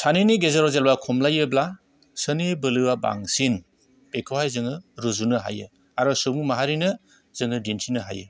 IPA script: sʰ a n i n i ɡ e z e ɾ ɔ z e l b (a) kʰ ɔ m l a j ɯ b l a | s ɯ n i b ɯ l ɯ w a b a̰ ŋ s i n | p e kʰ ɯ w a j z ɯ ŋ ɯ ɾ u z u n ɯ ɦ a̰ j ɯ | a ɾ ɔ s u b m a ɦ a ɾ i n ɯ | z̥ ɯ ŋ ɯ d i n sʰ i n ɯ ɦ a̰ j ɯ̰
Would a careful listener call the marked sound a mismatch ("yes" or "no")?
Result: no